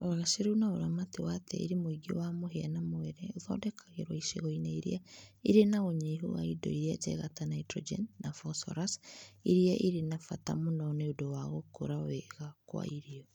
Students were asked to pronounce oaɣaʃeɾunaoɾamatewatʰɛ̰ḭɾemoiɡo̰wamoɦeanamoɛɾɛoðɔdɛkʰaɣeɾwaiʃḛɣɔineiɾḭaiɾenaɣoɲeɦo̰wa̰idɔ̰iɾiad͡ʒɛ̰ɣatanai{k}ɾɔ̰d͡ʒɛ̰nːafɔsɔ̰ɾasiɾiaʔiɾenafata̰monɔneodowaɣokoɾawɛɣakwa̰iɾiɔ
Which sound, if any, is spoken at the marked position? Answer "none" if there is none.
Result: t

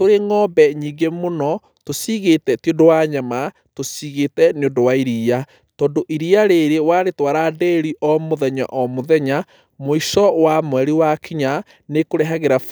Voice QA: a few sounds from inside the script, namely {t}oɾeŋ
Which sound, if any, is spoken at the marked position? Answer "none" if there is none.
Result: t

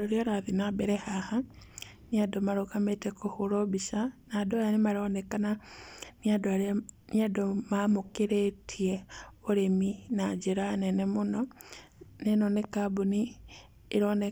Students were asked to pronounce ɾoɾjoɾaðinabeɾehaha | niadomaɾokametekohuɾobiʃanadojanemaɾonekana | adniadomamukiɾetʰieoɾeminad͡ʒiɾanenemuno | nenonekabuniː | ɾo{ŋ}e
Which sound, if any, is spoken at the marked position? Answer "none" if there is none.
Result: n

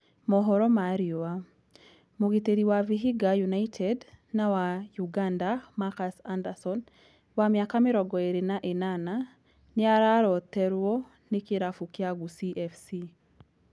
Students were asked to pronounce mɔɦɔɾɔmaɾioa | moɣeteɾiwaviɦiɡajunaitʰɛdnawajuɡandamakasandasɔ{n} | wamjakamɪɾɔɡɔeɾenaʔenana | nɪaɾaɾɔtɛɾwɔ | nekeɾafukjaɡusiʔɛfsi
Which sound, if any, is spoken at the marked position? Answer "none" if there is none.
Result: n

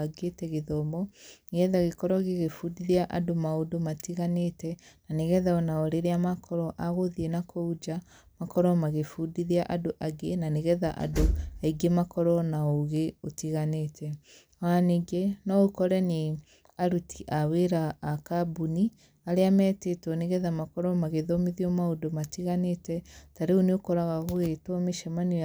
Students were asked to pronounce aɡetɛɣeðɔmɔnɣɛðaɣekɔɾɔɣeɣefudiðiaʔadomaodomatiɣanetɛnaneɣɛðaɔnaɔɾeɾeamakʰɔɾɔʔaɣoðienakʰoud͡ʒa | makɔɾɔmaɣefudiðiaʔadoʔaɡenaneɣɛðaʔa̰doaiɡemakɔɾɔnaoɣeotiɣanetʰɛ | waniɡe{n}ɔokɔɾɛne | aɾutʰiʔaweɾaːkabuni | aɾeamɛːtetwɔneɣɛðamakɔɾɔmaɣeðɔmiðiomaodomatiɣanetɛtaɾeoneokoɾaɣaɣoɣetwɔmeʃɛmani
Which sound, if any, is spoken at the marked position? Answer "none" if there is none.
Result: n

